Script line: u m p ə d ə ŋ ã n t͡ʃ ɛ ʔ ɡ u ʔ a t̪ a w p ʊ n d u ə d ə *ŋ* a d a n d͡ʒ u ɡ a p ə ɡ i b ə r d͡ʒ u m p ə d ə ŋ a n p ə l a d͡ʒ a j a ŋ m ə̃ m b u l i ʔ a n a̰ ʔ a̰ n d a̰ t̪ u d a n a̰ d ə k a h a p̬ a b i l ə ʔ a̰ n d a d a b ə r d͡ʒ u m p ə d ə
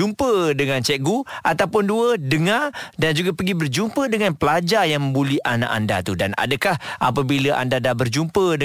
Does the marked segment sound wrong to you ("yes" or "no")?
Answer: no